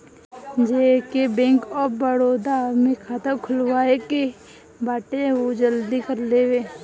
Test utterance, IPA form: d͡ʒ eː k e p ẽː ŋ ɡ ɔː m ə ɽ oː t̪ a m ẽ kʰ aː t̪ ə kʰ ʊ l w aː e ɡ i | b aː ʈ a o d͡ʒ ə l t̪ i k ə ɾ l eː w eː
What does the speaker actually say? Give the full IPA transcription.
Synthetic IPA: d͡ʒ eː k e b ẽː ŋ k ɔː b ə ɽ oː d̪ a m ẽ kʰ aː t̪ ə kʰ ʊ l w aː e k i | b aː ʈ e o d͡ʒ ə l d̪ i k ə ɾ l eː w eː